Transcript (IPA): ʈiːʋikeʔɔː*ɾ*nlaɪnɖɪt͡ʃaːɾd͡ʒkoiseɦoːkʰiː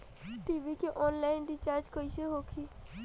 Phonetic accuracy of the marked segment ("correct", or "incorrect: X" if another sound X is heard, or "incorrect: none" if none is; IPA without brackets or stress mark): incorrect: none